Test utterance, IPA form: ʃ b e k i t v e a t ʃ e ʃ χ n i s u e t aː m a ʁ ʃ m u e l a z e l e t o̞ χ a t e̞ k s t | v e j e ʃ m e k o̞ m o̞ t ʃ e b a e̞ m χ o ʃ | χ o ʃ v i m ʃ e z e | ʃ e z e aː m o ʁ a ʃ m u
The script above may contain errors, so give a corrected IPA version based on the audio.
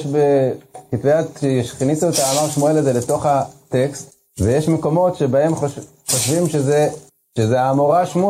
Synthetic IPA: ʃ b e k i t v e a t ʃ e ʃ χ n i s u e t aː m a ʁ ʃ m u e l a z e l e t o̞ χ a t e̞ k s t | v e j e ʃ m e k o̞ m o̞ t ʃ e b a e̞ m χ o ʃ | χ o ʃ v i m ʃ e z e | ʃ e z e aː m o ʁ a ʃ m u